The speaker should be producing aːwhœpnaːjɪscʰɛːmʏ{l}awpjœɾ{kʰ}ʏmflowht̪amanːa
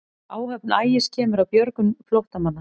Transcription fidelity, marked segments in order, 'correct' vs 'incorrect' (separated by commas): incorrect, incorrect